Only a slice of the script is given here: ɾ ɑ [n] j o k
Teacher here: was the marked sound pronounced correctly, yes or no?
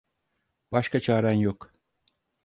yes